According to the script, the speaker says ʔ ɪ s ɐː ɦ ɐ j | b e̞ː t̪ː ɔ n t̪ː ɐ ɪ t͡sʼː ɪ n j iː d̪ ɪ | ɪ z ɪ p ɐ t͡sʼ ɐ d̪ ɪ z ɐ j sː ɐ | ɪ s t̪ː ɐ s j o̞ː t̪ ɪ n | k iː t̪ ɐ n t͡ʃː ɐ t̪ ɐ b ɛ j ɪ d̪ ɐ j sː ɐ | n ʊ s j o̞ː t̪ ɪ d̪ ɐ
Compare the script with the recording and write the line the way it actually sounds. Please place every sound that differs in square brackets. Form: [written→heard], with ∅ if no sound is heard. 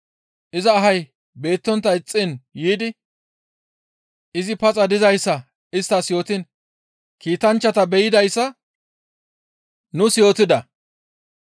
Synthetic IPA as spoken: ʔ ɪ [s→z] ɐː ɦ ɐ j | b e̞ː t̪ː ɔ n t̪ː ɐ ɪ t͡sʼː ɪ n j iː d̪ ɪ | ɪ z ɪ p ɐ t͡sʼ ɐ d̪ ɪ z ɐ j sː ɐ | ɪ s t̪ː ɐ s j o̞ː t̪ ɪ n | k iː t̪ ɐ n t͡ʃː ɐ t̪ ɐ b ɛ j ɪ d̪ ɐ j sː ɐ | n ʊ s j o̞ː t̪ ɪ d̪ ɐ